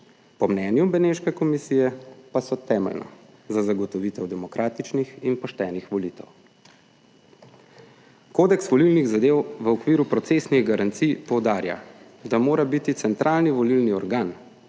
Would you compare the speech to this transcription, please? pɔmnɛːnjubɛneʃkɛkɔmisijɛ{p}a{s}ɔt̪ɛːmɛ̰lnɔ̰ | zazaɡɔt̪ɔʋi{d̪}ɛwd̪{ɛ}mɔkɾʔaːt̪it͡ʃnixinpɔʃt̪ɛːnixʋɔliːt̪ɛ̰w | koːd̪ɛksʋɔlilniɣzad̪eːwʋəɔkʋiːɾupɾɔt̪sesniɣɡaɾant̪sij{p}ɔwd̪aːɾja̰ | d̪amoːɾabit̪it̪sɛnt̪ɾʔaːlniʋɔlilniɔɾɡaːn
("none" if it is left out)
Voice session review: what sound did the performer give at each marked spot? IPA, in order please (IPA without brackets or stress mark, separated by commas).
p, s, t̪, ɛ, p